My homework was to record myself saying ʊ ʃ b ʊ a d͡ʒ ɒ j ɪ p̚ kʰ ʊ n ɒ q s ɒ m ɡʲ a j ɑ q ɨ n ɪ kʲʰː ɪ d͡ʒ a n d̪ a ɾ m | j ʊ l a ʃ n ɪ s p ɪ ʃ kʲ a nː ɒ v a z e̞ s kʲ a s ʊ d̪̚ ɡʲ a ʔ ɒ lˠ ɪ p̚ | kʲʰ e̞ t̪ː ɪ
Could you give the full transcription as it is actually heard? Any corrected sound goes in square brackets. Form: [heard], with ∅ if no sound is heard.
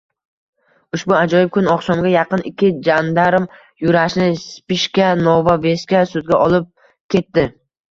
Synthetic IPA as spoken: ʊ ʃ b ʊ a d͡ʒ ɒ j ɪ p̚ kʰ ʊ n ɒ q s ɒ m ɡʲ a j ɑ q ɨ n ɪ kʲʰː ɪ d͡ʒ a n d̪ a ɾ m | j ʊ [ɾ] a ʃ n ɪ s p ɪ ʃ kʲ a [n] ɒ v a [v] e̞ s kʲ a s ʊ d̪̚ ɡʲ a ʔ ɒ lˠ ɪ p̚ | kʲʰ e̞ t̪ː ɪ

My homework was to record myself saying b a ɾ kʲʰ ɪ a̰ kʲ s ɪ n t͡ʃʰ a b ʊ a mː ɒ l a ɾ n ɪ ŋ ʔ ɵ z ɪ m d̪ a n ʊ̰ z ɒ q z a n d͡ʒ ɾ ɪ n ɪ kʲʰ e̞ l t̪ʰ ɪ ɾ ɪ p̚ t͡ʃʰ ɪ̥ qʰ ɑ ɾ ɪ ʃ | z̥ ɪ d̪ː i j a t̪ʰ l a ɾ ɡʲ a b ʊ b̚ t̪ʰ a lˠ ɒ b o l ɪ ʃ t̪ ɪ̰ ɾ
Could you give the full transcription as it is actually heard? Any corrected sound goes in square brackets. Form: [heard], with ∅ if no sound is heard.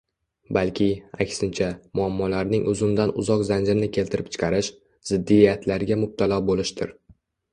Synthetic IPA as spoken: b a [l] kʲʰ ɪ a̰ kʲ s ɪ n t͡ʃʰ a [m] ʊ a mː ɒ l a ɾ n ɪ ŋ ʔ ɵ z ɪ m d̪ a n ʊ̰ z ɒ q z a n d͡ʒ ɾ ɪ n ɪ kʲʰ e̞ l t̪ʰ ɪ ɾ ɪ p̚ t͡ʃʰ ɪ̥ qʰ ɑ ɾ ɪ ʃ | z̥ ɪ d̪ː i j a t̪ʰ l a ɾ ɡʲ a [m] ʊ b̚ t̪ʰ a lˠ ɒ b o l ɪ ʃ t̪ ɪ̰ ɾ

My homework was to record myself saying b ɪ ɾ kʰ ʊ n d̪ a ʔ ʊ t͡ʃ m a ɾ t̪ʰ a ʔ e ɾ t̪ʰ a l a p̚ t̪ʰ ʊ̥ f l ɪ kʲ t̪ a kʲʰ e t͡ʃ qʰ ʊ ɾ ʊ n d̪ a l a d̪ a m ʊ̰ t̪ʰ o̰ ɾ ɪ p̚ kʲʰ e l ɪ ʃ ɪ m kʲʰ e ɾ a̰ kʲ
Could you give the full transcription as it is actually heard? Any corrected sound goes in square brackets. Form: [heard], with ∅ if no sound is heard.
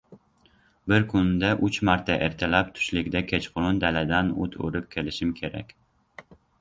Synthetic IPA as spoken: b ɪ ɾ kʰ ʊ n d̪ a ʔ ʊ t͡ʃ m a ɾ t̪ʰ a ʔ e ɾ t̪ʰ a l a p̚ t̪ʰ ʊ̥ [ʃ] l ɪ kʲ [d̪] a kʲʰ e t͡ʃ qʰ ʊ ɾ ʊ n d̪ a l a d̪ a [n] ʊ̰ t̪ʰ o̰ ɾ ɪ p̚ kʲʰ e l ɪ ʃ ɪ m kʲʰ e ɾ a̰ kʲ

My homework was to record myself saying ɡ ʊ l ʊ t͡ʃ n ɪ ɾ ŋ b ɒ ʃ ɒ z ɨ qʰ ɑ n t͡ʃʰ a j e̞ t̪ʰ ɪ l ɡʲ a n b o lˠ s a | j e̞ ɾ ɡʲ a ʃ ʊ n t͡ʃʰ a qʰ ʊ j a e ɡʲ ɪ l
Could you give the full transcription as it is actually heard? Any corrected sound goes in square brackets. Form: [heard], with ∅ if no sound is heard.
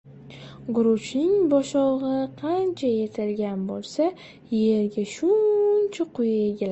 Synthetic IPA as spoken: ɡ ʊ [ɾ] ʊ t͡ʃ n ɪ [∅] ŋ b ɒ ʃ ɒ [ʁ] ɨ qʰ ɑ n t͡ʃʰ a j e̞ t̪ʰ ɪ l ɡʲ a n b o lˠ s a | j e̞ ɾ ɡʲ a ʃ ʊ n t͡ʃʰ a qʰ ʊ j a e ɡʲ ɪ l

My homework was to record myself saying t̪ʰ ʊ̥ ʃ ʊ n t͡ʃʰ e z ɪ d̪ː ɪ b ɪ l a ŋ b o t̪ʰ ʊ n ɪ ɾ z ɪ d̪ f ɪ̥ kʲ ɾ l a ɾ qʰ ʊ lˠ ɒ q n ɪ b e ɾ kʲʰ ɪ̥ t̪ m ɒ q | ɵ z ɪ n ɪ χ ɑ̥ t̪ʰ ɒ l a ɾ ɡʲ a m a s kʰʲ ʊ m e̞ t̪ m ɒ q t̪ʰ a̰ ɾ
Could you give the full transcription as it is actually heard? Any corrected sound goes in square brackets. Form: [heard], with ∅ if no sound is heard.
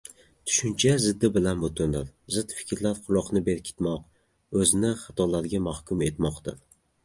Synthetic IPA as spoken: t̪ʰ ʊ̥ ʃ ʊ n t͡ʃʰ [a] z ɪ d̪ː ɪ b ɪ l a [n] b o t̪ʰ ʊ n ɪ ɾ z ɪ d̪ f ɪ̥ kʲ ɾ l a ɾ qʰ ʊ lˠ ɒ q n ɪ b e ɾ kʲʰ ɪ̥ t̪ m ɒ q | ɵ z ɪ n ɪ χ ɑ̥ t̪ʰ ɒ l a ɾ ɡʲ a m a [h] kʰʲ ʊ m e̞ t̪ m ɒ q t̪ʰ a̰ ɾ

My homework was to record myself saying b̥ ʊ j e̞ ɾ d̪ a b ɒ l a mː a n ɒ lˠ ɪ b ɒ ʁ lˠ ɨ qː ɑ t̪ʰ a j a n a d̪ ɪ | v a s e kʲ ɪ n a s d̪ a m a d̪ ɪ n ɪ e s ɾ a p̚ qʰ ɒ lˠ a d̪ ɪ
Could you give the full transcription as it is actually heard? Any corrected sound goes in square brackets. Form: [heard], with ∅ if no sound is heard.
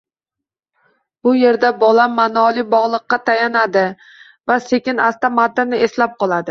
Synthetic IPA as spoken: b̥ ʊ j e̞ ɾ d̪ a b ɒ l a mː a n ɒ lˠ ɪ b ɒ ʁ lˠ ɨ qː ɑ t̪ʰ a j a n a d̪ ɪ | v a s e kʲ ɪ n a s [t̪] a m a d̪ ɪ n ɪ e s [l] a p̚ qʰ ɒ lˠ a d̪ ɪ

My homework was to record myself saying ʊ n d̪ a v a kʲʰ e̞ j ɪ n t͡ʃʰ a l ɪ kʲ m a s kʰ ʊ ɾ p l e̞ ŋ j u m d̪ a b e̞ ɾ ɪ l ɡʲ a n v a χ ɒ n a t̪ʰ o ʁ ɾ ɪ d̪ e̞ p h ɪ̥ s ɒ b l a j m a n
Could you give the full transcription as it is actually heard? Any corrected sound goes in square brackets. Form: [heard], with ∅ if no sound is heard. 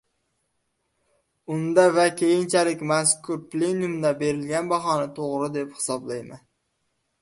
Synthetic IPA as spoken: ʊ n d̪ a v a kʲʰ e̞ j ɪ n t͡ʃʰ a l ɪ kʲ m a s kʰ ʊ ɾ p l e̞ [n] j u m d̪ a b e̞ ɾ ɪ l ɡʲ a n [b] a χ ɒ n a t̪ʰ o ʁ ɾ ɪ d̪ e̞ p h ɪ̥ s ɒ b l a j m a n

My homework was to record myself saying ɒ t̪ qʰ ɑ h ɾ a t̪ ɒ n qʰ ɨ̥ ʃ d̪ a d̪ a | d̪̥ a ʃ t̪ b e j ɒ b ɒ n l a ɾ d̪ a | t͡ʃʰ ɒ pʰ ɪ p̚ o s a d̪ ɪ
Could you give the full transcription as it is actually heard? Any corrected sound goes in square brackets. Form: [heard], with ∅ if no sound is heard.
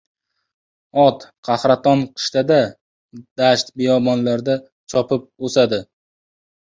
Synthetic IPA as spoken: ɒ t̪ qʰ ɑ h ɾ a t̪ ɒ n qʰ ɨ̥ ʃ [t̪] a d̪ a | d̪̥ a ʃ t̪ b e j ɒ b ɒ n l a ɾ d̪ a | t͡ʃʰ ɒ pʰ ɪ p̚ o s a d̪ ɪ

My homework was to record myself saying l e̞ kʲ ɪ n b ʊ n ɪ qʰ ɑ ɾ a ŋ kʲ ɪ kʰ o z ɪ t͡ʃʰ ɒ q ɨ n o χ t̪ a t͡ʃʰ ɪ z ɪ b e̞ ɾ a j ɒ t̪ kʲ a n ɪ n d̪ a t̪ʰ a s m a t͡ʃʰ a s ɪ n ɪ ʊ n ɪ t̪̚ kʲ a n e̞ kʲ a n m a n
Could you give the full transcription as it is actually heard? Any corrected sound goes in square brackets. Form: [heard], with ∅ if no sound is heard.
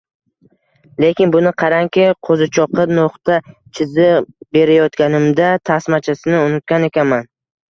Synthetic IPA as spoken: l e̞ kʲ ɪ n b ʊ n ɪ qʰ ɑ ɾ a ŋ kʲ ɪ [qʰ] o z ɪ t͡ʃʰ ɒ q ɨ n o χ t̪ a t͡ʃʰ ɪ z ɪ b e̞ ɾ a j ɒ t̪ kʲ a n ɪ [m] d̪ a t̪ʰ a s m a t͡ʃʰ a s ɪ n ɪ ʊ n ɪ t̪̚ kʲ a n e̞ kʲ a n m a n

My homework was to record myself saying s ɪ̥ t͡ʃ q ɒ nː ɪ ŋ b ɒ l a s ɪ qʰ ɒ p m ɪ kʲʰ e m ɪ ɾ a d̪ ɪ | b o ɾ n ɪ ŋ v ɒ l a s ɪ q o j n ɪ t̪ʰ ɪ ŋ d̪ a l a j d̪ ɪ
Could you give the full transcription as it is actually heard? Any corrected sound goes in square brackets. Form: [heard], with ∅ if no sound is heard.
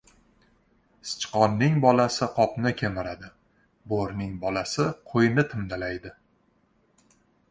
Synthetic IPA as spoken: s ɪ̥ t͡ʃ q ɒ nː ɪ ŋ b ɒ l a s ɪ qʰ ɒ p [n] ɪ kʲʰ e m ɪ ɾ a d̪ ɪ | b o ɾ n ɪ ŋ [b] ɒ l a s ɪ [qʰ] o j n ɪ t̪ʰ ɪ [m] d̪ a l a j d̪ ɪ

